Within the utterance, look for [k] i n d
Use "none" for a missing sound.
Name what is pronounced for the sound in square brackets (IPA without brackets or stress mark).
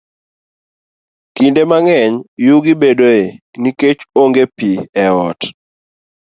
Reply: k